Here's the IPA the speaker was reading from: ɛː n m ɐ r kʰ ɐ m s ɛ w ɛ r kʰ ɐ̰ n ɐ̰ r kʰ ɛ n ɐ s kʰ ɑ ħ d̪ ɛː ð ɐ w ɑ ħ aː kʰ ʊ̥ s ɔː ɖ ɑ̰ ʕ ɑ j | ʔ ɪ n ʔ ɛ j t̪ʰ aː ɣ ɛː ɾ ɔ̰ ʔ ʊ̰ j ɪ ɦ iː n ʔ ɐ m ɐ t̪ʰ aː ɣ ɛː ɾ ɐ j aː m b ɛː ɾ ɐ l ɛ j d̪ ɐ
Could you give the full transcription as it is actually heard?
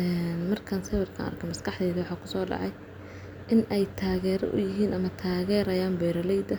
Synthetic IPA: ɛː n m ɐ r kʰ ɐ n s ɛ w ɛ r kʰ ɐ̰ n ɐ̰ r kʰ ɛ m ɐ s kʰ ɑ ħ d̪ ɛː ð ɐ w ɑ ħ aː kʰ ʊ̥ s ɔː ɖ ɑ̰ ʕ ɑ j | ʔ ɪ n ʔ ɛ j t̪ʰ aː ɣ ɛː ɾ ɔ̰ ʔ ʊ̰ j ɪ ɦ iː n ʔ ɐ m ɐ t̪ʰ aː ɣ ɛː ɾ ɐ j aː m b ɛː ɾ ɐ l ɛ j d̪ ɐ

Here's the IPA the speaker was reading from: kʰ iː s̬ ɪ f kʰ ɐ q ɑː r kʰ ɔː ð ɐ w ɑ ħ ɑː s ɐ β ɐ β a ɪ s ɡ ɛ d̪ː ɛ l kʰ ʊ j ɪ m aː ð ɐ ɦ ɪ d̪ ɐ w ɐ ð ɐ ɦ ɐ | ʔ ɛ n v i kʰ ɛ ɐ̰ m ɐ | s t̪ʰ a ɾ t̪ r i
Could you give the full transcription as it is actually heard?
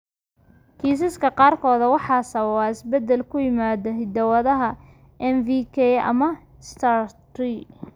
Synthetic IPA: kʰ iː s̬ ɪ s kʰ ɐ q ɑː r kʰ ɔː ð ɐ w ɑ ħ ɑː s ɐ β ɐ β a ɪ s b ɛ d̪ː ɛ l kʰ ʊ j ɪ m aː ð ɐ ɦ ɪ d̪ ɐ w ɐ ð ɐ ɦ ɐ | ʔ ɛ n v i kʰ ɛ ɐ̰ m ɐ | s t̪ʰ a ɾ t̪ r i

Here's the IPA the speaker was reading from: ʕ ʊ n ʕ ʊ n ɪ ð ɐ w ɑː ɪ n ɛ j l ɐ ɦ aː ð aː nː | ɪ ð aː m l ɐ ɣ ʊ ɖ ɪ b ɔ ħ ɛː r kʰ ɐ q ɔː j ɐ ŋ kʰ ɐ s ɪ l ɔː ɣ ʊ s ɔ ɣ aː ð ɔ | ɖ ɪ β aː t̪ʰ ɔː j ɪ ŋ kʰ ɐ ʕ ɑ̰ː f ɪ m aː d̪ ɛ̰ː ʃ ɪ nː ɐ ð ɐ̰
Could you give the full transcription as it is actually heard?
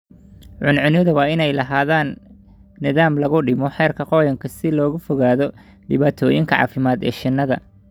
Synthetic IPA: ʕ ʊ n ʕ ʊ n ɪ ð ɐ w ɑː ɪ n ɛ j l ɐ ɦ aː ð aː nː | ɪ ð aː m l ɐ ɣ ʊ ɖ ɪ m ɔ ħ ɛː r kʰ ɐ q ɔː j ɐ ŋ kʰ ɐ s ɪ l ɔː ɣ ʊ f ɔ ɣ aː ð ɔ | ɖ ɪ β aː t̪ʰ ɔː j ɪ ŋ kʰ ɐ ʕ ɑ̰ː f ɪ m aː d̪ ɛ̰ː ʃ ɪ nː ɐ ð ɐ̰

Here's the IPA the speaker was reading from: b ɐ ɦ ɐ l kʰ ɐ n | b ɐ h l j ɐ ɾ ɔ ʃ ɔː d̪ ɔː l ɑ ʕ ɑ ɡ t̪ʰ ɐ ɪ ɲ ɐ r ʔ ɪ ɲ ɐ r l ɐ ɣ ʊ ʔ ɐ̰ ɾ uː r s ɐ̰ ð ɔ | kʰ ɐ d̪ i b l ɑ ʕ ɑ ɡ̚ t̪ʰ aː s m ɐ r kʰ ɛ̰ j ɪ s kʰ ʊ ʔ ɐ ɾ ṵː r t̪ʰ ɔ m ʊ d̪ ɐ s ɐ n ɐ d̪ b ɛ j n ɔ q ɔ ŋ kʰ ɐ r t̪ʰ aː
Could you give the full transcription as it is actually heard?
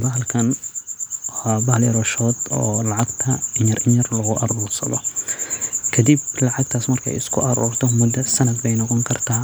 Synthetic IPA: b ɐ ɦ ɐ l kʰ ɐ n | b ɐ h l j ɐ ɾ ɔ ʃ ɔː d̪ ɔː l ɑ ʕ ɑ ɡ t̪ʰ ɐ ɪ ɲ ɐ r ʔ ɪ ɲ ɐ r l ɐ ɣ ʊ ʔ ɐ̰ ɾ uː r s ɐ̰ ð ɔ | kʰ ɐ d̪ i b l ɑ ʕ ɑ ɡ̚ t̪ʰ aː s m ɐ r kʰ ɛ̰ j ɪ s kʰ ʊ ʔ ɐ ɾ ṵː r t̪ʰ ɔ m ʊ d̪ ɐ s ɐ n ɐ d̪ b ɛ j n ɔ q ɔ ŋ kʰ ɐ r t̪ʰ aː

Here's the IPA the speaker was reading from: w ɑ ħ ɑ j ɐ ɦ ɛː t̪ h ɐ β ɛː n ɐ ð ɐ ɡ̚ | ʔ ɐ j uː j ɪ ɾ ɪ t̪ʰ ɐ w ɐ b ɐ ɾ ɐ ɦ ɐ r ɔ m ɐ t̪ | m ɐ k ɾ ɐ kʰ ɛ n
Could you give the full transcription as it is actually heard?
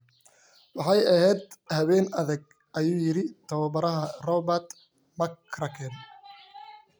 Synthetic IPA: w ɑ ħ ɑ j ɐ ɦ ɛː d̪ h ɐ β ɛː n ɐ ð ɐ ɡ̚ | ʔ ɐ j uː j ɪ ɾ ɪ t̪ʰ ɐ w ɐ b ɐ ɾ ɐ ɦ ɐ r ɔ b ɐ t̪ | m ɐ k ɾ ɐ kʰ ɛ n

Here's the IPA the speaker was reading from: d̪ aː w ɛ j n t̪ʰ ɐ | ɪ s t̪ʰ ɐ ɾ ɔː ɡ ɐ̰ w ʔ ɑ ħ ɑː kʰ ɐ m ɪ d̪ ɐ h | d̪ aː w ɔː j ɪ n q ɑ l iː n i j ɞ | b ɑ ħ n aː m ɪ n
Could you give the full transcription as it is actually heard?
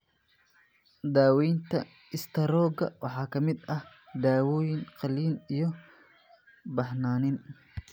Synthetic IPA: d̪ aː w ɛ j n t̪ʰ ɐ | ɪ s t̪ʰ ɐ ɾ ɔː ɡ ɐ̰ w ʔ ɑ ħ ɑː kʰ ɐ m ɪ d̪ ɐ h | d̪ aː w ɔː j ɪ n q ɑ l iː n i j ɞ | b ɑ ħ n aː n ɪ n

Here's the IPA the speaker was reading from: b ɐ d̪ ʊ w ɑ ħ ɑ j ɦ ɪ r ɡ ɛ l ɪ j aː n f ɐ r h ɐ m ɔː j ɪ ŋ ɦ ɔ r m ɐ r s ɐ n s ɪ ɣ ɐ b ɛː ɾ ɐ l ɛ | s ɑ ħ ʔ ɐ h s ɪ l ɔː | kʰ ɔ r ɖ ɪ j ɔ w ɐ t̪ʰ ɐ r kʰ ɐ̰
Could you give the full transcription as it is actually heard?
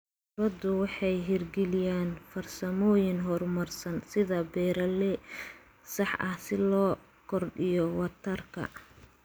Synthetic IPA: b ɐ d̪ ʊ w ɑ ħ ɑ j ɦ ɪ r ɡ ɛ l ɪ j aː n f ɐ r s ɐ m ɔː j ɪ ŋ ɦ ɔ r m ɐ r s ɐ n s ɪ ð ɐ b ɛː ɾ ɐ l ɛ | s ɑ ħ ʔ ɐ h s ɪ l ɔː | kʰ ɔ r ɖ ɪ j ɔ w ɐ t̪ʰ ɐ r kʰ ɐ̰

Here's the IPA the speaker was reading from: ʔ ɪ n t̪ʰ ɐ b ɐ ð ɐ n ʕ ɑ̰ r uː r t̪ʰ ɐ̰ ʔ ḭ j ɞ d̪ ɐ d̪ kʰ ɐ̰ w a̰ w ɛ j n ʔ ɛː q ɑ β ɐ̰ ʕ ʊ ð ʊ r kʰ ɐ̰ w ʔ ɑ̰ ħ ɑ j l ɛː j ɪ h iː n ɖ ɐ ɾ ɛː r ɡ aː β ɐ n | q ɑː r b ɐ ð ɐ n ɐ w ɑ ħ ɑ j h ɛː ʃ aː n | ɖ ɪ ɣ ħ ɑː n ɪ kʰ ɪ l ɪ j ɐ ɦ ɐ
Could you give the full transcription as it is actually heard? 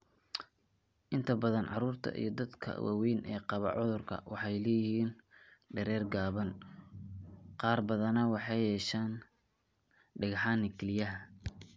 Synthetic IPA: ʔ ɪ n t̪ʰ ɐ b ɐ ð ɐ n ʕ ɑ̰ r uː r t̪ʰ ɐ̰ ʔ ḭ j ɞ d̪ ɐ d̪ kʰ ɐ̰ w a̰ w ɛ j n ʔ ɛː q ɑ β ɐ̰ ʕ ʊ ð ʊ r kʰ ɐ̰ w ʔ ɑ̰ ħ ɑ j l ɛː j ɪ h iː n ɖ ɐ ɾ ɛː r ɡ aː β ɐ n | q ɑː r b ɐ ð ɐ n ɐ w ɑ ħ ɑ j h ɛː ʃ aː n | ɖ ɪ ɣ ħ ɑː n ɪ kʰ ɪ l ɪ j ɐ ɦ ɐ

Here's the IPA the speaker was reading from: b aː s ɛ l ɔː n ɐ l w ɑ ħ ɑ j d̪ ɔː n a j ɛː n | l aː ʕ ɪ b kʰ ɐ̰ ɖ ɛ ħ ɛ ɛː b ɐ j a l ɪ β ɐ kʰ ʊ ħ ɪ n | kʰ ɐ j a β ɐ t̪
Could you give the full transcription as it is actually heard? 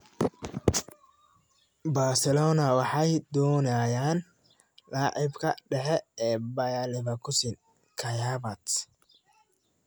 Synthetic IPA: b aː s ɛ l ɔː n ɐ w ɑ ħ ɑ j d̪ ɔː n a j aː n | l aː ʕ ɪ b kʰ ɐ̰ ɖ ɛ ħ ɛ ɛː b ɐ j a l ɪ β ɐ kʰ ʊ s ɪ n | kʰ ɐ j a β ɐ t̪

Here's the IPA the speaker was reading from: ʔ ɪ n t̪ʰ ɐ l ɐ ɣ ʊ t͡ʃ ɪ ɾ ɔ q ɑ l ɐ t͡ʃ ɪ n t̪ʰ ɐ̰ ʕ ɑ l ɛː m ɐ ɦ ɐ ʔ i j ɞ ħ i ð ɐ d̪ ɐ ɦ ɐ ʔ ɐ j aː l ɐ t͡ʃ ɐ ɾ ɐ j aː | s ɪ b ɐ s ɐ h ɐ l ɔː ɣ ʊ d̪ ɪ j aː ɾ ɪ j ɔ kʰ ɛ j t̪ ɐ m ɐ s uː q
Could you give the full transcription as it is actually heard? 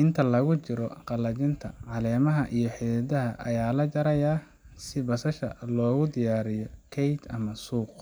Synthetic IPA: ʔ ɪ n t̪ʰ ɐ l ɐ ɣ ʊ t͡ʃ ɪ ɾ ɔ q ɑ l ɐ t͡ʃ ɪ n t̪ʰ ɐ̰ ʕ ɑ l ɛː m ɐ ɦ ɐ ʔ i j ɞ ħ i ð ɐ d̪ ɐ ɦ ɐ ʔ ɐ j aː l ɐ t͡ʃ ɐ ɾ ɐ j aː | s ɪ b ɐ s ɐ ʃ ɐ l ɔː ɣ ʊ d̪ ɪ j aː ɾ ɪ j ɔ kʰ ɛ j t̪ ɐ m ɐ s uː q

